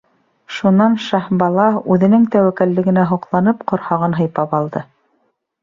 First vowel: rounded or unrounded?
rounded